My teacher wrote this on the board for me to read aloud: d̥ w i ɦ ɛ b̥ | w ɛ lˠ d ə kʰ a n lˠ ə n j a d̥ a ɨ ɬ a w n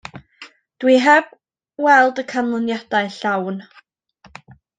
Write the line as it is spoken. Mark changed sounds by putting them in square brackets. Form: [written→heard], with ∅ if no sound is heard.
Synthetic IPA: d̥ w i ɦ ɛ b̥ | w ɛ lˠ d ə kʰ a n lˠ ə n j a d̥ a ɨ ɬ a w n